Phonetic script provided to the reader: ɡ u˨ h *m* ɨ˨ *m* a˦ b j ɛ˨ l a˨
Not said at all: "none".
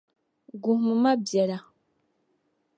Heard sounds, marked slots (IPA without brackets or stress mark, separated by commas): m, m